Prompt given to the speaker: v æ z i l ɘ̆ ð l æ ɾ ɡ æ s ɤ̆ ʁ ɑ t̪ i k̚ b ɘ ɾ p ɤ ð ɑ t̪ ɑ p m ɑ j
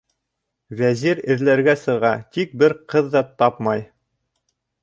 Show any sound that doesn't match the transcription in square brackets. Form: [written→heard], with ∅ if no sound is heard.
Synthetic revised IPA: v æ z i [l→ɾ] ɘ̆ ð l æ ɾ ɡ æ s ɤ̆ ʁ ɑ t̪ i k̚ b ɘ ɾ [p→q] ɤ [ð→ðː] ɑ t̪ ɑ p m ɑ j